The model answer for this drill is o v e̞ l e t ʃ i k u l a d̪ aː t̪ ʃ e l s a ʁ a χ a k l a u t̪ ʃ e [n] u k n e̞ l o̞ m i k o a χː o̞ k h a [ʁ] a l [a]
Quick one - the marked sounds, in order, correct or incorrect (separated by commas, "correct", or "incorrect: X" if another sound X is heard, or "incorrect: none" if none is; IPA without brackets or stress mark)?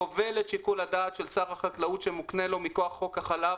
incorrect: m, incorrect: χ, correct